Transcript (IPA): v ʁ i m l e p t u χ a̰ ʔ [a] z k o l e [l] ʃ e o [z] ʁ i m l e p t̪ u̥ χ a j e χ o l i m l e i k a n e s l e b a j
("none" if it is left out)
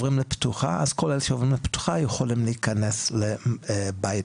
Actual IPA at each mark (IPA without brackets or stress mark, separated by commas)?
a, l, v